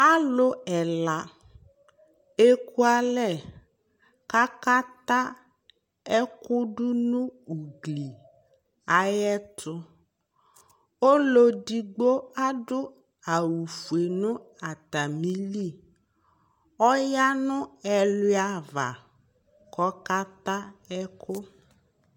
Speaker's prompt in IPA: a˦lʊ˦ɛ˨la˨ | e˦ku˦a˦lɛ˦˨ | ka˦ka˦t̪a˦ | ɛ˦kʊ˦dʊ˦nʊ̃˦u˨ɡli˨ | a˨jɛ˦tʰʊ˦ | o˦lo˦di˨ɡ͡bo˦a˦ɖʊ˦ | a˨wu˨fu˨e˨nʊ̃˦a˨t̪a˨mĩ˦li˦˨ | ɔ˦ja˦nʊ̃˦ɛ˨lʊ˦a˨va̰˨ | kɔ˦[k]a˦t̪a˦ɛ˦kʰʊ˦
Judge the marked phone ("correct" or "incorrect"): correct